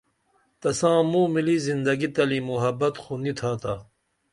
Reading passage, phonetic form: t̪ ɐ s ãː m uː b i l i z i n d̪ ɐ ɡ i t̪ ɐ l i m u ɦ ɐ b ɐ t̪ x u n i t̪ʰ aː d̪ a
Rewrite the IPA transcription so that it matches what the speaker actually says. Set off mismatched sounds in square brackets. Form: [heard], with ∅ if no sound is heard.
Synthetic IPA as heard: t̪ ɐ s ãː m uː [m] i l i z i n d̪ ɐ ɡ i t̪ ɐ l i m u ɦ ɐ b ɐ t̪ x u n i t̪ʰ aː [t̪] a